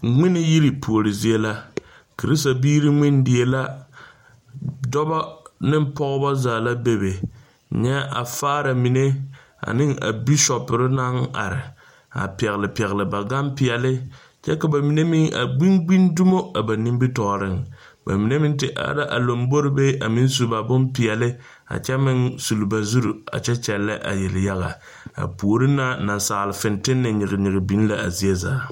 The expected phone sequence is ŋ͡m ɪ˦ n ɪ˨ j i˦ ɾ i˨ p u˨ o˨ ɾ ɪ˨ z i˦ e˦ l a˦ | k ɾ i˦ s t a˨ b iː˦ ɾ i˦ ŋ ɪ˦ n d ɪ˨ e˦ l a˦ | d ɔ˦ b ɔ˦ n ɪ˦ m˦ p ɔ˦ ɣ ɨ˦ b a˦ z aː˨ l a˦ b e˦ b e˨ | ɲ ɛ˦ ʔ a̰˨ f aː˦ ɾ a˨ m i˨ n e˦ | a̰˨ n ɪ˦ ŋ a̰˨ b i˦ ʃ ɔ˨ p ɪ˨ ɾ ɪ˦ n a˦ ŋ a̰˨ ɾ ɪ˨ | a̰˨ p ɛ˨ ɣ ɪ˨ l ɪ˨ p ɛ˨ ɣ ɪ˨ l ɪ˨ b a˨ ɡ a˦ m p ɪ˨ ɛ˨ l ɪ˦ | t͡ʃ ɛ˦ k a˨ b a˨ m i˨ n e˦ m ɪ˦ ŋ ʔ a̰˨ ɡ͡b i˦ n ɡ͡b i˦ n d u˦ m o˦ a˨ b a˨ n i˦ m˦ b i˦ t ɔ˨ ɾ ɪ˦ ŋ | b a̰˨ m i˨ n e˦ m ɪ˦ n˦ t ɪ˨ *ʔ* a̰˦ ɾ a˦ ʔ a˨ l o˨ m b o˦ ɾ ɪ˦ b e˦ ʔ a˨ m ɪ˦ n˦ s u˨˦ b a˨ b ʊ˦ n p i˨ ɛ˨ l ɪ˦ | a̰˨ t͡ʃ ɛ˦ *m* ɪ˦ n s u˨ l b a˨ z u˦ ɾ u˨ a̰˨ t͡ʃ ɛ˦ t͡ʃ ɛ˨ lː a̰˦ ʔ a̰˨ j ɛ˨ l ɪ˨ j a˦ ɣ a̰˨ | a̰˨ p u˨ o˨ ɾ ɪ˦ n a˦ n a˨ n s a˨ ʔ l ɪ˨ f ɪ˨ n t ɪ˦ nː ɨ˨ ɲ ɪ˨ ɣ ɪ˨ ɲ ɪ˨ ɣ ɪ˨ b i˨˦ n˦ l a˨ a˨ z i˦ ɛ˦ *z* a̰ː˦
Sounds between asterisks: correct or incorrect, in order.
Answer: correct, correct, correct

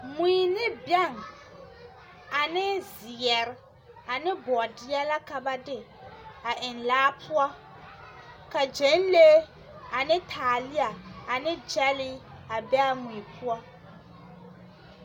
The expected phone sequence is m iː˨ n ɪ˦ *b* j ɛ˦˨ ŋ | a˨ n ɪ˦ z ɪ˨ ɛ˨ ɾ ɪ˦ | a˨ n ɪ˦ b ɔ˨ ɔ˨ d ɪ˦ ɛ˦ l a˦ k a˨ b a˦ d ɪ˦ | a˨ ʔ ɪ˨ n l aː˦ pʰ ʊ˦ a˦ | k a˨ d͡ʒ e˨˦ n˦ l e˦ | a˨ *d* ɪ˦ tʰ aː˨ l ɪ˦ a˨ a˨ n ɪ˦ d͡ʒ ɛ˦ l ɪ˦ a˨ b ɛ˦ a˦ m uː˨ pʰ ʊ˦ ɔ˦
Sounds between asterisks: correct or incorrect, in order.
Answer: correct, incorrect

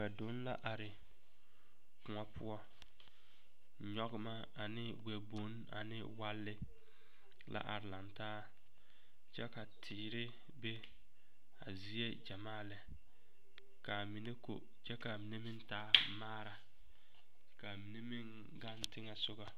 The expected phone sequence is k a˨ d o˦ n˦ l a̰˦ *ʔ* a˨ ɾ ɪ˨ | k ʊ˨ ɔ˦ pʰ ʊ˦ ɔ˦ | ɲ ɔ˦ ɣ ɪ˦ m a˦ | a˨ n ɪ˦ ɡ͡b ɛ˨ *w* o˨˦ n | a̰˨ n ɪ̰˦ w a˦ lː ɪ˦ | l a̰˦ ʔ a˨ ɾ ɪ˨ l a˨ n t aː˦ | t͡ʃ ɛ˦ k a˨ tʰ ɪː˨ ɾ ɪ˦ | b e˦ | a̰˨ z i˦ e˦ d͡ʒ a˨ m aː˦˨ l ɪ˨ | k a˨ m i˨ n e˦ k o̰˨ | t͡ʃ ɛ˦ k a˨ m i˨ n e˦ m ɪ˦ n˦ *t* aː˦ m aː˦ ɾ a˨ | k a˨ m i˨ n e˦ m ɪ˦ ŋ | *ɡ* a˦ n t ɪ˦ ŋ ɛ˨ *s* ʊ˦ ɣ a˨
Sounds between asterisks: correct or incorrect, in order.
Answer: correct, incorrect, correct, correct, correct

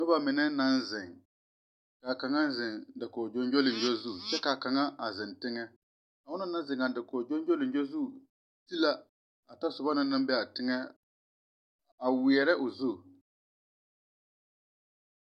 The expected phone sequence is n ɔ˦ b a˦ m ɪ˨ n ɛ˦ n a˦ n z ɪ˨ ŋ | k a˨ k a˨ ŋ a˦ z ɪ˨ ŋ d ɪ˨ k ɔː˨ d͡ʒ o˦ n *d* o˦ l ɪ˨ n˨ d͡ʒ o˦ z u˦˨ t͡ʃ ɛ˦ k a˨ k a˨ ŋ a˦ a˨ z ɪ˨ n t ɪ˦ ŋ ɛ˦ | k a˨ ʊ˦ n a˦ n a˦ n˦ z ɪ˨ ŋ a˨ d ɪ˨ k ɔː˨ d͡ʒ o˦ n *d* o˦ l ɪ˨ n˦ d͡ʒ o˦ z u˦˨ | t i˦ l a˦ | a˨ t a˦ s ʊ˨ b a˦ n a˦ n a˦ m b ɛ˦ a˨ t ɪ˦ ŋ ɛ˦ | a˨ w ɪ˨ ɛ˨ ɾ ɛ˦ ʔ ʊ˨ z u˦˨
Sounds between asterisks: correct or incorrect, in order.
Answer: incorrect, incorrect

